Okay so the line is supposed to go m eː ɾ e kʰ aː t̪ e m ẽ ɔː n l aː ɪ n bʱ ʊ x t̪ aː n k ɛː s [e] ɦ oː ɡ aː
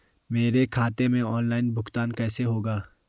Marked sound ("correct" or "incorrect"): correct